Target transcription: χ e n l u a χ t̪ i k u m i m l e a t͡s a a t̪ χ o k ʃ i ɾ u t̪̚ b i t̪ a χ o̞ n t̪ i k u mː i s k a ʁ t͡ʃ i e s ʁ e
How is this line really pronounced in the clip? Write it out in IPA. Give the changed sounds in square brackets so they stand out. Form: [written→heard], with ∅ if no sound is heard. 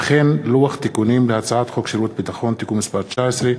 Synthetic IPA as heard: χ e n l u a χ t̪ i k u [m→n] i m l e a t͡s a a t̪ χ o k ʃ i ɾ u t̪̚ b i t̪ a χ o̞ n t̪ i k u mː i s [k→p] a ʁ t͡ʃ [i→a] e s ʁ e